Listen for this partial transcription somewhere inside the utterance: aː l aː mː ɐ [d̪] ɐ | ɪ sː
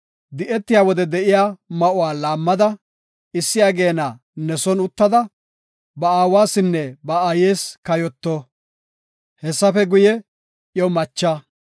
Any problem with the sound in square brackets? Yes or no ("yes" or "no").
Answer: no